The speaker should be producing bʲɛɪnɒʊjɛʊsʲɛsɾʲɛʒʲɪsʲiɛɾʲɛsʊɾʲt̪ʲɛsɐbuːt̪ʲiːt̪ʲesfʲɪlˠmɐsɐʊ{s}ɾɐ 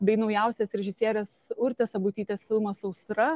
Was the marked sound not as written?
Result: no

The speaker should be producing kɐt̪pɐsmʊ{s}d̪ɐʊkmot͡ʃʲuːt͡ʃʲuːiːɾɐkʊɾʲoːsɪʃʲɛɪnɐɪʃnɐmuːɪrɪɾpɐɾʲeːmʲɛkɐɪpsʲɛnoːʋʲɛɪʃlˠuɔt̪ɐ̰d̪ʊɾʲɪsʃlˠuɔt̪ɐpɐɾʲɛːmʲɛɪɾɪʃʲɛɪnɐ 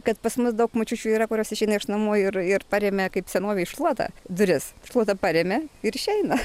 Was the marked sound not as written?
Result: no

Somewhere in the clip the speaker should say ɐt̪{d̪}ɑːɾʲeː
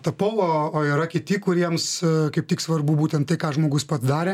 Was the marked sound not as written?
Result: no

